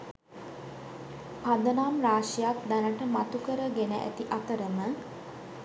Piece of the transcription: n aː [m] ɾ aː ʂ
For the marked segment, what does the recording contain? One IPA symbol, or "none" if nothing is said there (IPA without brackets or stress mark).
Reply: m